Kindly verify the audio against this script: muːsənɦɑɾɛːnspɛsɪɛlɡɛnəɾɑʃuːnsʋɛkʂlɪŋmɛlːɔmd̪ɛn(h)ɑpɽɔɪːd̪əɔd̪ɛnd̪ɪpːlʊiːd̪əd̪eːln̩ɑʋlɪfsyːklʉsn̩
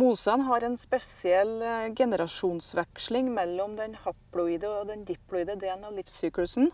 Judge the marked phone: correct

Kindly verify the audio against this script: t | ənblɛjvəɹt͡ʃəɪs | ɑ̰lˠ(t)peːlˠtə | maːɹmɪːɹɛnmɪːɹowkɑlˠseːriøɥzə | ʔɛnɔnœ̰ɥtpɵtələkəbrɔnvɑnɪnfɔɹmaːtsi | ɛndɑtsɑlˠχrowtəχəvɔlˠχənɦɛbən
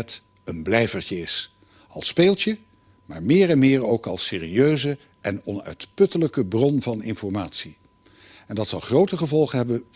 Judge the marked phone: incorrect: s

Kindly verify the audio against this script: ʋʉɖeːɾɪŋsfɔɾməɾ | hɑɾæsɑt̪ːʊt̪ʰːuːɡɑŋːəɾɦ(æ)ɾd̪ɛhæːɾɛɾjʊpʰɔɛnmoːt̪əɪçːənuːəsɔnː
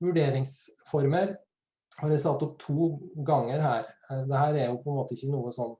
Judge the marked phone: incorrect: æː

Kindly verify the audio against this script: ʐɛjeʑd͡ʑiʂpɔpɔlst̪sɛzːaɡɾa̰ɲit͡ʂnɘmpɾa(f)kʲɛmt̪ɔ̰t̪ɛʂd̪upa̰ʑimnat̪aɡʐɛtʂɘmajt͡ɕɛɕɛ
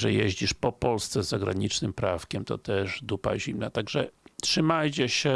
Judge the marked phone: correct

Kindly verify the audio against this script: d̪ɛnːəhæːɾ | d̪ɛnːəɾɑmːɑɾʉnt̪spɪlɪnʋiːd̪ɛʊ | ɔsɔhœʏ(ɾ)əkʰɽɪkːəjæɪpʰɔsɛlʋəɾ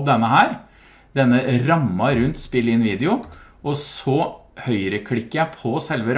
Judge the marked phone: correct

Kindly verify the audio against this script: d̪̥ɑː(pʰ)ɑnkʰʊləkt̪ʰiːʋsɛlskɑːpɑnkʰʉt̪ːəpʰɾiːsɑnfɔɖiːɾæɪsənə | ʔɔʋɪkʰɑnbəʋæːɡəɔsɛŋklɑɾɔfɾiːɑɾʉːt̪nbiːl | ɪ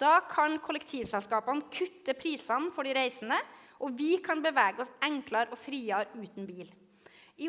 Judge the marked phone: incorrect: kʰ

